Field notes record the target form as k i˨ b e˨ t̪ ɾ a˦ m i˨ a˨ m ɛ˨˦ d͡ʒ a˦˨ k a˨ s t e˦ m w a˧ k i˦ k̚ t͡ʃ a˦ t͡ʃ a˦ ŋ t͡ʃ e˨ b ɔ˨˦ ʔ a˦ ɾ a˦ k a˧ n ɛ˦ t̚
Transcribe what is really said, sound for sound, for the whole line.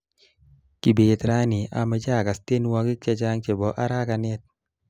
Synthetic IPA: k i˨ b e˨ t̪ ɾ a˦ n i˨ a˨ m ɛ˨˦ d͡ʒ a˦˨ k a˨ s t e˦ n w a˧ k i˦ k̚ t͡ʃ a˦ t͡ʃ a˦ ŋ t͡ʃ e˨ b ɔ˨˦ ʔ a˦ ɾ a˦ k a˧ n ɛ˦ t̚